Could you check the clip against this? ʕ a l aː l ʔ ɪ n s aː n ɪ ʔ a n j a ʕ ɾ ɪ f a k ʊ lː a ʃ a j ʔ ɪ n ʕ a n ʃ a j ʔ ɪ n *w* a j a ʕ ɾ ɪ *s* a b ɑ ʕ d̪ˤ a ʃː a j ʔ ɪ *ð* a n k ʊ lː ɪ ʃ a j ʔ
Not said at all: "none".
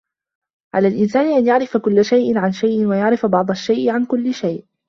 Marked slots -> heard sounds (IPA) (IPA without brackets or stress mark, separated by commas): w, f, ʕ